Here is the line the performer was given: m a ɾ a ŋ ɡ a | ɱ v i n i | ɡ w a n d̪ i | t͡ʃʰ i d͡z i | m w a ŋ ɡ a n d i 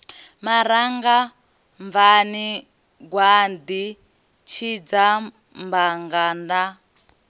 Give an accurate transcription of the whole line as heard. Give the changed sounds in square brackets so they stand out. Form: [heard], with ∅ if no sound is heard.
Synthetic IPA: m a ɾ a ŋ ɡ a | ɱ v [a] n i | ɡ w a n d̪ i | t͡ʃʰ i d͡z [a] | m [b] a ŋ ɡ a n d [a]